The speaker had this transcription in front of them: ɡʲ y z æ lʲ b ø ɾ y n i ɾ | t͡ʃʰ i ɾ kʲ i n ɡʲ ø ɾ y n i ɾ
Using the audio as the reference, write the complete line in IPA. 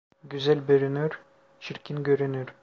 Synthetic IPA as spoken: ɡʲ y z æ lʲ b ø ɾ y n y ɾ | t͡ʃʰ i ɾ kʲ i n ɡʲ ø ɾ y n y ɾ